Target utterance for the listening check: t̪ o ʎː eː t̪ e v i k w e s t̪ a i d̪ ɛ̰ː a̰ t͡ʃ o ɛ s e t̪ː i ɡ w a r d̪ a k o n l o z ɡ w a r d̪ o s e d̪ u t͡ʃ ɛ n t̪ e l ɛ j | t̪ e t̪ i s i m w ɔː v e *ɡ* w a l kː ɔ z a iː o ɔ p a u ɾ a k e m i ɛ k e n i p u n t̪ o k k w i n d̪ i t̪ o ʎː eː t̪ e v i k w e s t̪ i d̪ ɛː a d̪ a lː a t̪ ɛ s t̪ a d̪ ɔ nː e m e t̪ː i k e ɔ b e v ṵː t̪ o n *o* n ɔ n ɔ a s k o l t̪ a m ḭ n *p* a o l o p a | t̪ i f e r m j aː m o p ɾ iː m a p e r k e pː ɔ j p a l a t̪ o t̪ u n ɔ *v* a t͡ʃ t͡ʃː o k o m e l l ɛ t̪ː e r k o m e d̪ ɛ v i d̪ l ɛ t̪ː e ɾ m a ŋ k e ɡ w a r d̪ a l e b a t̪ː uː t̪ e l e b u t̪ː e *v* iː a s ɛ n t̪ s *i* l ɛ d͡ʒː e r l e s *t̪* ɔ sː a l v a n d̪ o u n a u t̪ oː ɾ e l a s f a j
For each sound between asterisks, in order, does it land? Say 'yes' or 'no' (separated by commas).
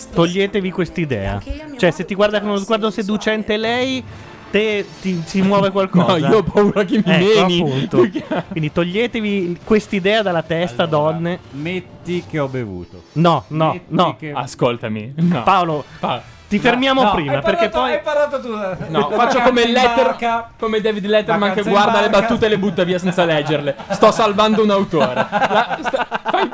no, no, yes, no, yes, no, yes